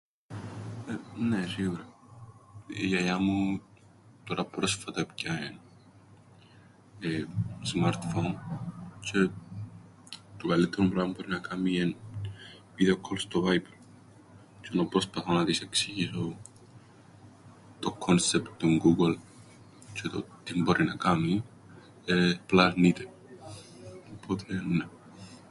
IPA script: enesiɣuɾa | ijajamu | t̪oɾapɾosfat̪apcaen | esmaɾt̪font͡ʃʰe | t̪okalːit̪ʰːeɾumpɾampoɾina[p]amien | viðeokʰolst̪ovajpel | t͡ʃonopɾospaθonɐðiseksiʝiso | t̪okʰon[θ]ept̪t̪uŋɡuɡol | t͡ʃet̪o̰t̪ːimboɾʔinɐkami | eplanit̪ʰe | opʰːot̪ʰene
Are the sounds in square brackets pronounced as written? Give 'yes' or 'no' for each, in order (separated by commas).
no, no